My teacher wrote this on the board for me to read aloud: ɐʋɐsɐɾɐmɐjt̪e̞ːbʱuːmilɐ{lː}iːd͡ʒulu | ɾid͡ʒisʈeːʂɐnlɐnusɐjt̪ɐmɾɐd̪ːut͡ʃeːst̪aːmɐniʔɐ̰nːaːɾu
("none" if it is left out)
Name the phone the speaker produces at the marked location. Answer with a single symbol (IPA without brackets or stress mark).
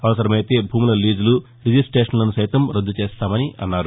l